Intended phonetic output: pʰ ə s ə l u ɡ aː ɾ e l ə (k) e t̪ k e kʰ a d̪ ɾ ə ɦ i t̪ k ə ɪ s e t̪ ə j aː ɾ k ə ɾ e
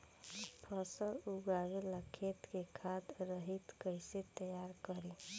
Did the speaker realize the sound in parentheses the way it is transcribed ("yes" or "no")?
no